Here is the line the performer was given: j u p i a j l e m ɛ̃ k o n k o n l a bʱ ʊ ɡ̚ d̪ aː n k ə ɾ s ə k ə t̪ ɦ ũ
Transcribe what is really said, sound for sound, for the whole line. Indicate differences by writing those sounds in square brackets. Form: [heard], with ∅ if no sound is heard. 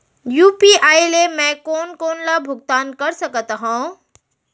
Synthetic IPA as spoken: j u p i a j l e m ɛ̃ k o n k o n l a bʱ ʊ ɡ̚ [t̪] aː n k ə ɾ s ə k ə t̪ ɦ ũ